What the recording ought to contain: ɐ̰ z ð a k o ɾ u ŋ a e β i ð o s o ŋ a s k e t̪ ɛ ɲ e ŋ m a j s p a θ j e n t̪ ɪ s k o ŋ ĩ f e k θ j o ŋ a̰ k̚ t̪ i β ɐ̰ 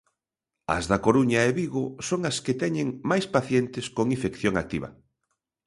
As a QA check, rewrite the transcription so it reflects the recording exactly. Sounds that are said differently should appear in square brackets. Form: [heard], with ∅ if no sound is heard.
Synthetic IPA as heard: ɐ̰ z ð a k o ɾ u [ɲ] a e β i [ɣ] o s o ŋ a s k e t̪ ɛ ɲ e ŋ m a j s p a θ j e n t̪ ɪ s k o ŋ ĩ f e k θ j o ŋ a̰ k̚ t̪ i β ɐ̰